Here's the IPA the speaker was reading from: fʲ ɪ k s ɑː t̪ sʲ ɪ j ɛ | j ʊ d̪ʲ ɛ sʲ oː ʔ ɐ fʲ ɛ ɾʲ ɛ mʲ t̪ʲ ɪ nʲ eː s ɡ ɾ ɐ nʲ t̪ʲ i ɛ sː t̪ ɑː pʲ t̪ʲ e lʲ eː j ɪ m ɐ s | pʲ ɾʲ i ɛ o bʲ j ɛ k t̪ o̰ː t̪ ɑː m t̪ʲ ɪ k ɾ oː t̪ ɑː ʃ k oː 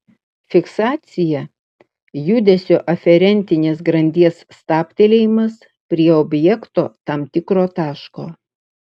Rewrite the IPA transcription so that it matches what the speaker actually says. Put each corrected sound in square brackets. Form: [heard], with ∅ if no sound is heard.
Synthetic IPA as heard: fʲ ɪ k s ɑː t̪ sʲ ɪ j ɛ | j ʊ d̪ʲ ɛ sʲ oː ʔ ɐ fʲ ɛ ɾʲ ɛ [nʲ] t̪ʲ ɪ nʲ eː s ɡ ɾ ɐ nʲ [d̪ʲ] i ɛ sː t̪ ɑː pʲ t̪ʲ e lʲ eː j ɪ m ɐ s | pʲ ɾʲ i ɛ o bʲ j ɛ k t̪ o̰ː t̪ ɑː m t̪ʲ ɪ k ɾ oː t̪ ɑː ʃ k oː